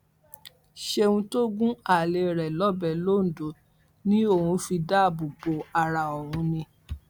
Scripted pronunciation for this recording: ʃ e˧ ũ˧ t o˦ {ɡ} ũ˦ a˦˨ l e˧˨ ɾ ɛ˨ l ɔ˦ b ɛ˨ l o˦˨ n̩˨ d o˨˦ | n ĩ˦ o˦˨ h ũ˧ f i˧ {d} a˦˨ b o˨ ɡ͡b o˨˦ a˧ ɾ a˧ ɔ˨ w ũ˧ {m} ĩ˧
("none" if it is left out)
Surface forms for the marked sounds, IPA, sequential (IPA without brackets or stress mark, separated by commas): ɡ, d, n